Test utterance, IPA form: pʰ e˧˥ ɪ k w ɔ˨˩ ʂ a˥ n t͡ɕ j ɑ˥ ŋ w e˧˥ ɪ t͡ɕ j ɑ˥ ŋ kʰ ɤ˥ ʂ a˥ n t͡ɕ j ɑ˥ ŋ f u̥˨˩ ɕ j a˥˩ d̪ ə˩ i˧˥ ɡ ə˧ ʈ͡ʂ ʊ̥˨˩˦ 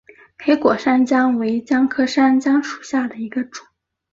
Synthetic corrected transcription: pʰ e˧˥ ɪ k w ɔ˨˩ ʂ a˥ n t͡ɕ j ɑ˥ ŋ w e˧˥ ɪ t͡ɕ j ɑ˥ ŋ kʰ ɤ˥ ʂ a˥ n t͡ɕ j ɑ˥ ŋ ʂ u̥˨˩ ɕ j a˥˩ d̪ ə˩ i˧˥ ɡ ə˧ ʈ͡ʂ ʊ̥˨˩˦